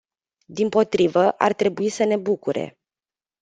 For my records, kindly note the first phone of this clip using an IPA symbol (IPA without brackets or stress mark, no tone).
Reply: d̪